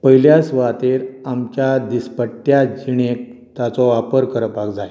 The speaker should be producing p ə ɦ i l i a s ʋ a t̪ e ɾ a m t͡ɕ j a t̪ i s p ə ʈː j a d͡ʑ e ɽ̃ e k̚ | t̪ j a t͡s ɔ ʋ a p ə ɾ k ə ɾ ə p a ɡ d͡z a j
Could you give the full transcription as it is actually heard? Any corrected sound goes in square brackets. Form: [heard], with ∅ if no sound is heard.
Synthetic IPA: p ə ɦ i l [j] a s ʋ a t̪ e ɾ a m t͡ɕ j a [d̪] i s p ə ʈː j a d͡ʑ [i] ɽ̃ e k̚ | t̪ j a t͡s ɔ ʋ a p ə ɾ k ə ɾ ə p a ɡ d͡z a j